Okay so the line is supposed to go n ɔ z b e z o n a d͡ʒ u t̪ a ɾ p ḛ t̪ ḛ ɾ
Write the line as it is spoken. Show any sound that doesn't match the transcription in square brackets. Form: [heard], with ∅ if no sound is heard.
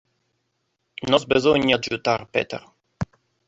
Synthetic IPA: n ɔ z b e z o [ɲ] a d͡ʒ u t̪ a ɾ p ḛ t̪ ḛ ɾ